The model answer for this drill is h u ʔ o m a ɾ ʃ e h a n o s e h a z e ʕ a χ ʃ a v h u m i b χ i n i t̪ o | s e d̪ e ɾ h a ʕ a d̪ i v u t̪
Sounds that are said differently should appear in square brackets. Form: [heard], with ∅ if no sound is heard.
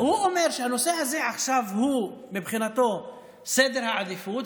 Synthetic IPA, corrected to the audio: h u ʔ o m [e] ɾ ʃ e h a n o s e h a z e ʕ a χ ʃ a v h u m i b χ i n [a] t̪ o | s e d̪ e ɾ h a ʕ a d̪ i [f] u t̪